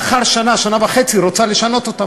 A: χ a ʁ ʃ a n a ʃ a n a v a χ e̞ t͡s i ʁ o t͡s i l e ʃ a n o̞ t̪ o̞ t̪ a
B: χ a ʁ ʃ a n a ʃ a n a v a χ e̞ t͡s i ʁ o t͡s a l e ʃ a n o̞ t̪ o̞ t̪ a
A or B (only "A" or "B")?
B